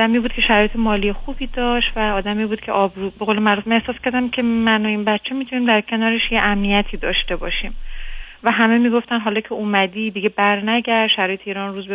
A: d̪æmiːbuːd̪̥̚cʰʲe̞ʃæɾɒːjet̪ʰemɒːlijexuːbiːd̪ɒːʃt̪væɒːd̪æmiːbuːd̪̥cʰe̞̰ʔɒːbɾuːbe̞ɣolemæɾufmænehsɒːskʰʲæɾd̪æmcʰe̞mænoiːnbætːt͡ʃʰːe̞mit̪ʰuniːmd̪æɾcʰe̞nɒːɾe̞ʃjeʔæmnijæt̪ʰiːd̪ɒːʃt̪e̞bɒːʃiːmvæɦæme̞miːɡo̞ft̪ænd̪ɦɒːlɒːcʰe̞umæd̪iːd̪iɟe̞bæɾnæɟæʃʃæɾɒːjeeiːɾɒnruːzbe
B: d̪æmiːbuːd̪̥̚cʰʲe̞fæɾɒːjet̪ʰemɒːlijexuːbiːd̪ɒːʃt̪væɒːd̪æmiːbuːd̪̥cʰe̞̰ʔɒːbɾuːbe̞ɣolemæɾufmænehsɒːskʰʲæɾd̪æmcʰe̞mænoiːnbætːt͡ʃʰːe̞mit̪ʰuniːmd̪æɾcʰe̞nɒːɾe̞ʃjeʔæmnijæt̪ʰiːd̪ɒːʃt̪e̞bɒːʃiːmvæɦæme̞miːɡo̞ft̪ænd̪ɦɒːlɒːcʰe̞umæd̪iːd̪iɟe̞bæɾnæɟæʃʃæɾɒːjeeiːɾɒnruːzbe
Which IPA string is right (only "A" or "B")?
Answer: A